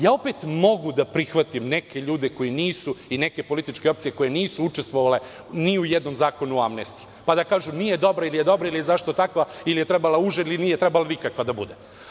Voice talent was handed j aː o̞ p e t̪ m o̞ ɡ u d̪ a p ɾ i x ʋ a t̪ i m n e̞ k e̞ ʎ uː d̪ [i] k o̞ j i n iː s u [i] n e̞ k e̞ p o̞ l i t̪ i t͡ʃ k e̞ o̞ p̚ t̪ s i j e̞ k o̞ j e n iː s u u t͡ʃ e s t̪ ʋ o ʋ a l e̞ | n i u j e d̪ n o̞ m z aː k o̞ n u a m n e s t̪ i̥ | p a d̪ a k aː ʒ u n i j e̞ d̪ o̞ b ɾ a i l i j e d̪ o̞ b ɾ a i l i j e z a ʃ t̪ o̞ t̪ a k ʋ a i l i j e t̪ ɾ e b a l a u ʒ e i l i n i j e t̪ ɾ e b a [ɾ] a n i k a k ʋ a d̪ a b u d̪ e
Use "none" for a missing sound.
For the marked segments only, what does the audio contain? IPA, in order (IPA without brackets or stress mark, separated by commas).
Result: e, i, l